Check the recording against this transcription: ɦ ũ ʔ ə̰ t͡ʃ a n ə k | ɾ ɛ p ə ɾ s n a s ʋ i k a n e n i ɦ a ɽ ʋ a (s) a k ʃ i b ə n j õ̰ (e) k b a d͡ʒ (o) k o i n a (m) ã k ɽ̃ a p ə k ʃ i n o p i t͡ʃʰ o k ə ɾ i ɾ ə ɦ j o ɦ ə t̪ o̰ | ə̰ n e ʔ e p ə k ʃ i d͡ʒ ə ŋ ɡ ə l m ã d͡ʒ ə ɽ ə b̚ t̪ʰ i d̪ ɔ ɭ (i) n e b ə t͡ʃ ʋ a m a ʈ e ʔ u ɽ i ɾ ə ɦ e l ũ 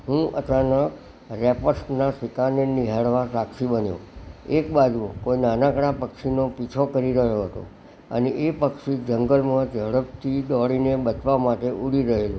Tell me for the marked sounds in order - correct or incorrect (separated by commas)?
correct, correct, incorrect, incorrect, correct